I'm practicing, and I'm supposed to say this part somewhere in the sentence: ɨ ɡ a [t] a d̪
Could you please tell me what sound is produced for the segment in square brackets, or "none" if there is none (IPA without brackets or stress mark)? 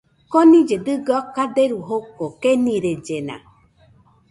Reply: k